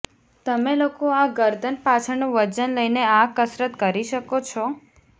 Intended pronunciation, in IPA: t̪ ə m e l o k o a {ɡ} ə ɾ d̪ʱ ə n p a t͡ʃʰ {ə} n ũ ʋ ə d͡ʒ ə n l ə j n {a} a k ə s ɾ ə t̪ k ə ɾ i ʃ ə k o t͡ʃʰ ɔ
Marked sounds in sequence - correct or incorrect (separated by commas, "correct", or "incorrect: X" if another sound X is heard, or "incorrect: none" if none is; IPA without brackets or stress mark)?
correct, correct, incorrect: e